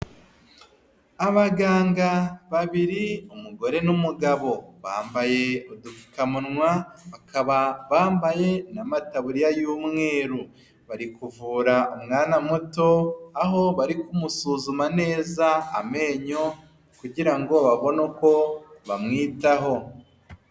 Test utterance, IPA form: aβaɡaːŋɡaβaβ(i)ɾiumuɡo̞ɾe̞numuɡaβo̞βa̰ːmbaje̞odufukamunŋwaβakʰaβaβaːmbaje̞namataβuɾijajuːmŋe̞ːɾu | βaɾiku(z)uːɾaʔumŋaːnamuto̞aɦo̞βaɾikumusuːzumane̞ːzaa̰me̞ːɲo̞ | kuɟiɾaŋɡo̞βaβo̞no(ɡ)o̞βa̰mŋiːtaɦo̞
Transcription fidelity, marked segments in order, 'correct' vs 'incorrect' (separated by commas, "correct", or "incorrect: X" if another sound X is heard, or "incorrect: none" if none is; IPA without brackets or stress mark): correct, incorrect: v, incorrect: k